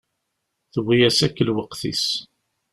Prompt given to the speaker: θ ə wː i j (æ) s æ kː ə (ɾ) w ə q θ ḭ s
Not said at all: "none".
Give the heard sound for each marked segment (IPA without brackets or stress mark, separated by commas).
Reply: æ, l